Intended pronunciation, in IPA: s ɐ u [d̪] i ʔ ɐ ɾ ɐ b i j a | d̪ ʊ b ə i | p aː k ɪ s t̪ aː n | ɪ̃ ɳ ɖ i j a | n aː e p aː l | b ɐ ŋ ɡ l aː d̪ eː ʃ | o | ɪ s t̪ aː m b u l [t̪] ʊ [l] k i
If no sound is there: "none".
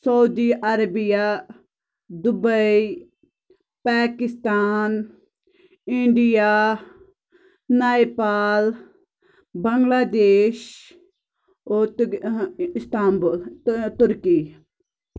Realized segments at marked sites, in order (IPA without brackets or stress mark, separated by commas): d̪, t̪, ɾ